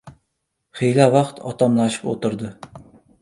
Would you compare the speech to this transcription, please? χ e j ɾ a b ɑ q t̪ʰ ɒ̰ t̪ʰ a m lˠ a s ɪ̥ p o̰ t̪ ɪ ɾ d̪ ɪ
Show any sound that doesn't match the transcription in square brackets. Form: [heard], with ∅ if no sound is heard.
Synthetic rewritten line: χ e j [l] a [v] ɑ q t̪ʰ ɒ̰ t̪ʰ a m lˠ a [ʃ] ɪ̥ p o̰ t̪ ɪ ɾ d̪ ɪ